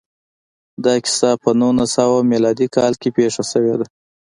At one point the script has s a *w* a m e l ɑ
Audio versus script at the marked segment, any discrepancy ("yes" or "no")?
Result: no